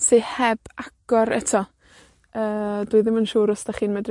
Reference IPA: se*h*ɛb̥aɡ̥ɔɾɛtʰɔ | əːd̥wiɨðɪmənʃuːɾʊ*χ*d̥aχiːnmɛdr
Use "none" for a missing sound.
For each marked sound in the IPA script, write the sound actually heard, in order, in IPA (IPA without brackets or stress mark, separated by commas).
h, s